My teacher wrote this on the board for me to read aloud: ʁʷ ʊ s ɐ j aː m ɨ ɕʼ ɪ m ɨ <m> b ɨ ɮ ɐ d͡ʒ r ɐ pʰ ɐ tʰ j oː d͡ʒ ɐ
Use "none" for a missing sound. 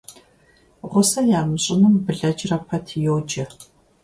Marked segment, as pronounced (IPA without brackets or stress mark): m